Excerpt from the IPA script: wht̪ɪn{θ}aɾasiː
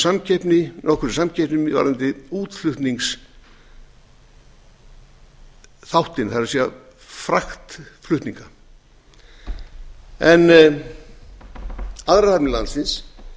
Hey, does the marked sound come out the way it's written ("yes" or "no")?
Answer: yes